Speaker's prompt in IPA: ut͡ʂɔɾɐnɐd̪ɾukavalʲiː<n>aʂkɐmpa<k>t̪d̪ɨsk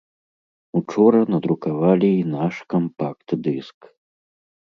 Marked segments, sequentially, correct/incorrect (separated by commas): correct, correct